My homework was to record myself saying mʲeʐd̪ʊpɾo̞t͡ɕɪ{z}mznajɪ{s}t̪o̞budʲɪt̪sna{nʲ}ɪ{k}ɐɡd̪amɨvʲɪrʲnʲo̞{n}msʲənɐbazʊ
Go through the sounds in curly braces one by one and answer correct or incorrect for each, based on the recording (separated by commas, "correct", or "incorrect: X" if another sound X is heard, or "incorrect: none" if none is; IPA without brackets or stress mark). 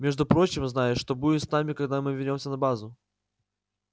incorrect: none, incorrect: ʂ, incorrect: mʲ, correct, incorrect: none